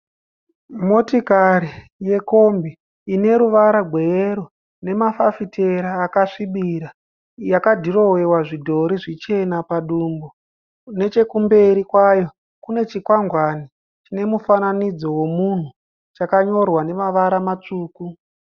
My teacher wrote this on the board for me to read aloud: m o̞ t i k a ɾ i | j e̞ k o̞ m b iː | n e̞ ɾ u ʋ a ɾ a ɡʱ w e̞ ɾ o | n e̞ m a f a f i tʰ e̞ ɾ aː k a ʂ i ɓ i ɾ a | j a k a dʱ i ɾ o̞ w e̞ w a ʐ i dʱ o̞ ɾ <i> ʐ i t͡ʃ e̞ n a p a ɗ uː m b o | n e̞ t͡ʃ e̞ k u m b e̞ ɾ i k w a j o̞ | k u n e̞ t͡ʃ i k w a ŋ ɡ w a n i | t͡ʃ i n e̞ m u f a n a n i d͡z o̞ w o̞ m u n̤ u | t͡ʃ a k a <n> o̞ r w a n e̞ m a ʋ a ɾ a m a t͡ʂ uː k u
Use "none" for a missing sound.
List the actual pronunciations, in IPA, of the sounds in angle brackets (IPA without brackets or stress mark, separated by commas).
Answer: i, ɲ